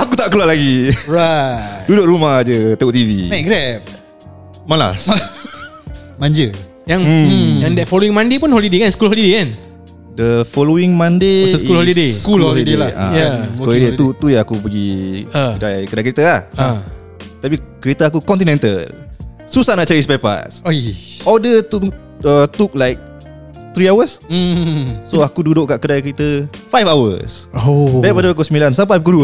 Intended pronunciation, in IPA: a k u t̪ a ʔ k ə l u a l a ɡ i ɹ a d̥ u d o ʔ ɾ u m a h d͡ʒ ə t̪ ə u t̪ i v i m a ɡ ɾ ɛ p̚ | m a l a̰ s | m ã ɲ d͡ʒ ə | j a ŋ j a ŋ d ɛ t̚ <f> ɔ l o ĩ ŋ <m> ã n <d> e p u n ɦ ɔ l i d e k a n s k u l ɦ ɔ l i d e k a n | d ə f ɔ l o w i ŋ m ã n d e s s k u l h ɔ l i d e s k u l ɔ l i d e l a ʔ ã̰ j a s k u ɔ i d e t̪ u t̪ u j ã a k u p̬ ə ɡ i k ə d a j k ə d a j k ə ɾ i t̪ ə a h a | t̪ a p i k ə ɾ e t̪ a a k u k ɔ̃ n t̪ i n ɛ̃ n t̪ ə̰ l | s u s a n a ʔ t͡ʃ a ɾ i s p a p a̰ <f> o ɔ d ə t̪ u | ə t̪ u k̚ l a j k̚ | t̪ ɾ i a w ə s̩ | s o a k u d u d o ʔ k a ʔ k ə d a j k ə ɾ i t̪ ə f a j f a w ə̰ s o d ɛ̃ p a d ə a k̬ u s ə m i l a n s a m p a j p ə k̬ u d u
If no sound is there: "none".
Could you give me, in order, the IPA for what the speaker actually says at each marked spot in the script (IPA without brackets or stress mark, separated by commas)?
f, m, d, s